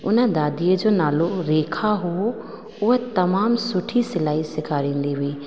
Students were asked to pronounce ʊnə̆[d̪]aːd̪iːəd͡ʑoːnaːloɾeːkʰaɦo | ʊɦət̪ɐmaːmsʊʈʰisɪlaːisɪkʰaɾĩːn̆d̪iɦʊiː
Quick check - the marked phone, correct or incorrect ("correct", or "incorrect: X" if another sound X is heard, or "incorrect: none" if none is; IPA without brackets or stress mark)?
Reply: correct